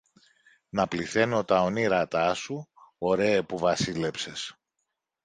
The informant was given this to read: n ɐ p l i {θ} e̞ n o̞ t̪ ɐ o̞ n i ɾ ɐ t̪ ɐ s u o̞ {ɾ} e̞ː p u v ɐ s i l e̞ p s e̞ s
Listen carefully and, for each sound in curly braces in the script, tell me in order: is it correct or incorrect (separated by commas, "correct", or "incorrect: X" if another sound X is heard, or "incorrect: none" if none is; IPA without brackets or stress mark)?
correct, correct